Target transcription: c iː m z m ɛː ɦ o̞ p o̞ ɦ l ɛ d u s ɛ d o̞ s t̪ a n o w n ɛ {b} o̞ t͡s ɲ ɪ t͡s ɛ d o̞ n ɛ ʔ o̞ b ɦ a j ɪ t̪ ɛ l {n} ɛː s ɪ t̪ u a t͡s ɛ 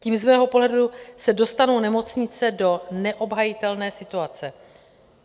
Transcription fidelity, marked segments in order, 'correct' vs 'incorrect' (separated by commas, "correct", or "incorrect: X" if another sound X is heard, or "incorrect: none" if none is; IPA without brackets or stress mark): incorrect: m, correct